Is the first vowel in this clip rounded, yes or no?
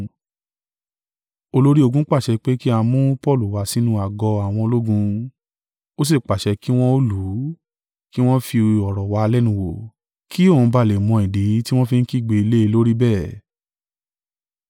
yes